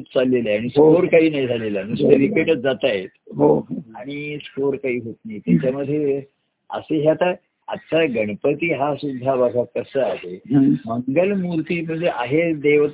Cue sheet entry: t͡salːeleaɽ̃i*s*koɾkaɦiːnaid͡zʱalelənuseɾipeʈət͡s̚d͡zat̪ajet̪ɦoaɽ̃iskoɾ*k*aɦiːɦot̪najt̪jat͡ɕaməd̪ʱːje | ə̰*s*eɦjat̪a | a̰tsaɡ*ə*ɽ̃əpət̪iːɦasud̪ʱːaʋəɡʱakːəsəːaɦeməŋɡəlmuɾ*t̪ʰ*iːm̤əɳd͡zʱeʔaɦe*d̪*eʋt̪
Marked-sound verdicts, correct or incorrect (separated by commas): correct, correct, correct, correct, incorrect, correct